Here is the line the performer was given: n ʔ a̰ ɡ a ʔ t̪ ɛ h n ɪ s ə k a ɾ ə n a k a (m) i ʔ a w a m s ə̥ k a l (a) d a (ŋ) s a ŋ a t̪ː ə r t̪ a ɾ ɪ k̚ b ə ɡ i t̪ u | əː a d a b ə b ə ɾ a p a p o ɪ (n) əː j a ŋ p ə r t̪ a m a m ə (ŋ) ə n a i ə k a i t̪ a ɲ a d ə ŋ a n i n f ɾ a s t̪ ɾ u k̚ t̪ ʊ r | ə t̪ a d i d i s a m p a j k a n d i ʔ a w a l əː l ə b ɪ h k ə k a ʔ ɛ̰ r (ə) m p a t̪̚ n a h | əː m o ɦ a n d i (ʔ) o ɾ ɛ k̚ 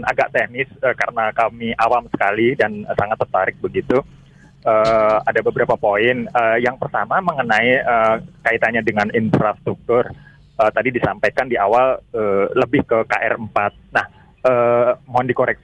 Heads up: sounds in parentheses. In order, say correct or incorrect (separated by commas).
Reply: correct, incorrect, incorrect, correct, correct, correct, incorrect